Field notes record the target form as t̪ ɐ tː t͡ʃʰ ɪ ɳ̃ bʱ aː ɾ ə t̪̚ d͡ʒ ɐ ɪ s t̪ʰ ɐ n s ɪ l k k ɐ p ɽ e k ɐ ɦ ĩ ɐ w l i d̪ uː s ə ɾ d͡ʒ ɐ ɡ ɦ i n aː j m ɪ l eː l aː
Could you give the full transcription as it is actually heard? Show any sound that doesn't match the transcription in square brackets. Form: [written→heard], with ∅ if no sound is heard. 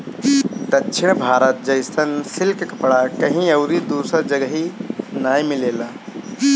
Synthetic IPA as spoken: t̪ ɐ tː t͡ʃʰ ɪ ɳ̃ bʱ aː ɾ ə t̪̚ d͡ʒ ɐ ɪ s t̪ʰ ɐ n s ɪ l k k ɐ p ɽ [e→a] k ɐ ɦ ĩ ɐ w [l→ɾ] i d̪ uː s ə ɾ d͡ʒ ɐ ɡ ɦ i n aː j m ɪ l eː l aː